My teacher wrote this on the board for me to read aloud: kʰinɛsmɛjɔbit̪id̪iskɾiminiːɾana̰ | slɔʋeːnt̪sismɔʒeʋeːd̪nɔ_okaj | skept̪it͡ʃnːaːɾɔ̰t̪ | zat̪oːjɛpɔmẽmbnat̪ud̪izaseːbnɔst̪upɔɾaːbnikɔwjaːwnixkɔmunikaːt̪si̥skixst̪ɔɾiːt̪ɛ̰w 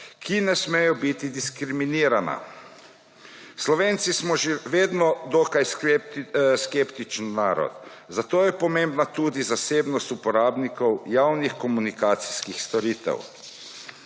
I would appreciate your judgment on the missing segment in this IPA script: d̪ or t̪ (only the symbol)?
d̪